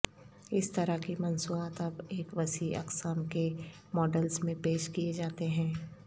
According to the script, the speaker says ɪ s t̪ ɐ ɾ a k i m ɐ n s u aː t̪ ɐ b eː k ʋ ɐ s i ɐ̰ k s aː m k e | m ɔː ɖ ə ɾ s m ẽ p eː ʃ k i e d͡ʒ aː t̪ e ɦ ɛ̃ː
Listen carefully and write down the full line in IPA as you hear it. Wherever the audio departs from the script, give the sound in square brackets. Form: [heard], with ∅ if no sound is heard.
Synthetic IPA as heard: ɪ s t̪ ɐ ɾ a k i m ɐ n s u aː t̪ ɐ b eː k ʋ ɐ s i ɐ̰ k s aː m k e | m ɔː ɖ ə [l] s m ẽ p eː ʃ k i e d͡ʒ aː t̪ e ɦ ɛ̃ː